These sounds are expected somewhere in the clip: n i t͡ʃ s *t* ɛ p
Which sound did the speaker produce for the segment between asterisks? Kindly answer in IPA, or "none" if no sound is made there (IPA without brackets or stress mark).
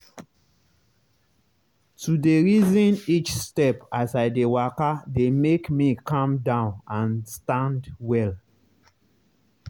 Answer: t